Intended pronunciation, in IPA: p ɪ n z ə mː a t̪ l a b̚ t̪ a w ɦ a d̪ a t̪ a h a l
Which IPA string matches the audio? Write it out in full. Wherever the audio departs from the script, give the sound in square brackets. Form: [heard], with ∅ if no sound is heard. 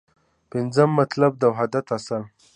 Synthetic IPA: p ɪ n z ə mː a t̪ l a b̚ [d̪] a w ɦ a d̪ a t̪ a [s] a l